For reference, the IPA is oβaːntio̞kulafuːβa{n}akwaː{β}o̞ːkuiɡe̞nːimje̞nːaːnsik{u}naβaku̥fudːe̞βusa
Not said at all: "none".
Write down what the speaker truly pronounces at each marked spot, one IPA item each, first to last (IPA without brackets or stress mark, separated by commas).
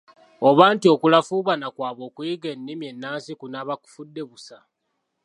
n, β, u